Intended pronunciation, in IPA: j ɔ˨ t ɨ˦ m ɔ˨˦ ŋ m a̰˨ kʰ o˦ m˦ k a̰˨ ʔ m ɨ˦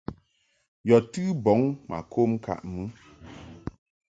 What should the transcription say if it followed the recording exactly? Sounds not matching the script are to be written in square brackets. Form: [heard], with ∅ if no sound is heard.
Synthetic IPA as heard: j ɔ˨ t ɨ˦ [b] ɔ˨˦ ŋ m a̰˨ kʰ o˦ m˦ k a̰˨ ʔ m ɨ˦